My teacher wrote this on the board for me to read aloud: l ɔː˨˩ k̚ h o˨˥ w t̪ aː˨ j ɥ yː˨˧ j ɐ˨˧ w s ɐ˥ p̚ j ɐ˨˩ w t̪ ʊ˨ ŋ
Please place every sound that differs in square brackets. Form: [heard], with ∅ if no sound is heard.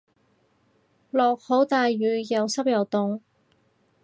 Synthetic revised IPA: l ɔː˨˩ k̚ h o˨˥ w t̪ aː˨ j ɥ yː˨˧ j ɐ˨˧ w s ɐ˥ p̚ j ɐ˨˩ w t̪ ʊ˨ ŋ